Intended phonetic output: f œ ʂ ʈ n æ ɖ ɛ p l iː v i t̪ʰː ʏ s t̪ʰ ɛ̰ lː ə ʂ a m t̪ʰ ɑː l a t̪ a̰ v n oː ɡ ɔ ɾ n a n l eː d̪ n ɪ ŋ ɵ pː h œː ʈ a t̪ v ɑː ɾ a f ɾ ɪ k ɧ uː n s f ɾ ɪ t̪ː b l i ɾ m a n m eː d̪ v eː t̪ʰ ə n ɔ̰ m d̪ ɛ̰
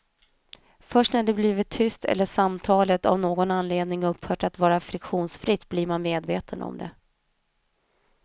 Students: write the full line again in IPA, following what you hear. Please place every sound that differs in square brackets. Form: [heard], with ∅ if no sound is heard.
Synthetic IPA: f œ ʂ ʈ n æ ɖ ɛ [b] l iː v [ɪ] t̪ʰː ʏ s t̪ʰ ɛ̰ lː ə ʂ a m t̪ʰ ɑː l [ə] t̪ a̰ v n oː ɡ ɔ [∅] n a n l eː d̪ n ɪ ŋ ɵ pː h œː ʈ a t̪ v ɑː ɾ a f ɾ ɪ k ɧ uː n s f ɾ ɪ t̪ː b l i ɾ m a n m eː d̪ v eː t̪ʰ ə n ɔ̰ m d̪ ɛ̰